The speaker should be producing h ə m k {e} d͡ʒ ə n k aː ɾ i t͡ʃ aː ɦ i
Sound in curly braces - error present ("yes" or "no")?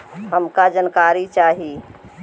yes